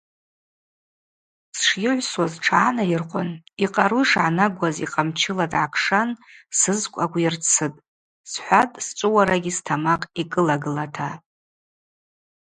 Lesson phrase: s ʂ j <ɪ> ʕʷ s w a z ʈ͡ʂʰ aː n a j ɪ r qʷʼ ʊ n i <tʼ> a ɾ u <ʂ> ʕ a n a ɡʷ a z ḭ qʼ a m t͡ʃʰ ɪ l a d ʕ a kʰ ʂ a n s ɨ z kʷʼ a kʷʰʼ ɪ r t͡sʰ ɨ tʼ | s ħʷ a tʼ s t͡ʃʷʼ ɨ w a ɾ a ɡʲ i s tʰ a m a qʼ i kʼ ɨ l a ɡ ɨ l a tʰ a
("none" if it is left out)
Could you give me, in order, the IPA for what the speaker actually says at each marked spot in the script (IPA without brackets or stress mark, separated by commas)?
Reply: ɪ, qʼ, ʂ